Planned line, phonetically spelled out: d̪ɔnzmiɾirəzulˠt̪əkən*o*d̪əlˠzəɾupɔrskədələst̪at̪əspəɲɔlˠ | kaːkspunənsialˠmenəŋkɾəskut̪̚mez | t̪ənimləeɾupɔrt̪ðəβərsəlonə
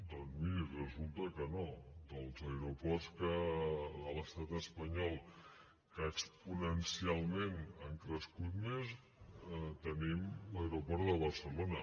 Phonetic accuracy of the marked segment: correct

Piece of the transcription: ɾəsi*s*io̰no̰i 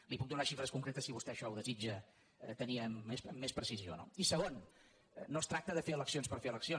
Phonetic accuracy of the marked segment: incorrect: z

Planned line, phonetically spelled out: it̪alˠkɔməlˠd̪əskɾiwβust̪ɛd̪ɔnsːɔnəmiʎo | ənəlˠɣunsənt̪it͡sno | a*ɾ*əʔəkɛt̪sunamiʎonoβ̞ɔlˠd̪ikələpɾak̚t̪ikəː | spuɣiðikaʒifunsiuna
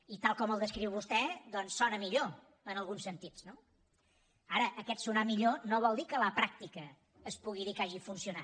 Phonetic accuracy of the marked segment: correct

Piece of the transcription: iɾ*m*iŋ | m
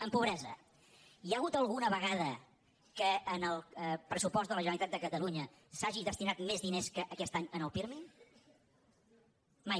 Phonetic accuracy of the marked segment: correct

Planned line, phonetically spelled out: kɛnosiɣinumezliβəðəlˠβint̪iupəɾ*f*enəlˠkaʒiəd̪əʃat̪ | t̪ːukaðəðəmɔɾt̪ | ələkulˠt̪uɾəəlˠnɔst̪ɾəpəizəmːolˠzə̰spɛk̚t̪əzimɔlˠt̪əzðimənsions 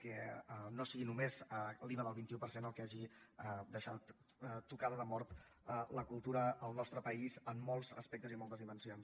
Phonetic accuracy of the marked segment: incorrect: s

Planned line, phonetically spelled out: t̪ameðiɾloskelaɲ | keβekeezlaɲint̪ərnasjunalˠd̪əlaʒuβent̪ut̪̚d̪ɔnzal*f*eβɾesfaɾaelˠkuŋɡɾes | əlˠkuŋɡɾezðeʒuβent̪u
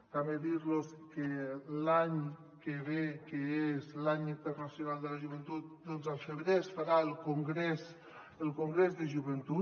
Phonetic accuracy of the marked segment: correct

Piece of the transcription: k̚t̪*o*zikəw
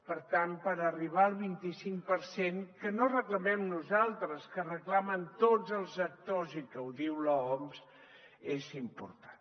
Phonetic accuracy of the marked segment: correct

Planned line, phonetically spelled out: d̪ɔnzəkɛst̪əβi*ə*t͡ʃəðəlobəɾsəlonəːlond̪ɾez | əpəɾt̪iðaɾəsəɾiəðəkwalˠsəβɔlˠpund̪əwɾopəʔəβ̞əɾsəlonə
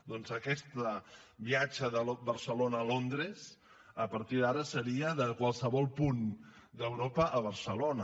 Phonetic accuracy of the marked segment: incorrect: a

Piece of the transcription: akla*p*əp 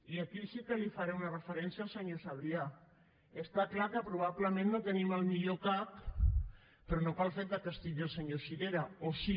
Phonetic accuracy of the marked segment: incorrect: k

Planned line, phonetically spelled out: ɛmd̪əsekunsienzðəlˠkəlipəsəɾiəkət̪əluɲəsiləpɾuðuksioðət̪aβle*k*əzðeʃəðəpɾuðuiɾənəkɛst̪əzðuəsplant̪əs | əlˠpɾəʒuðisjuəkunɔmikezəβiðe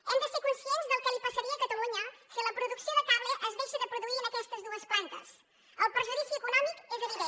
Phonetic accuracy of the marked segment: incorrect: ʔ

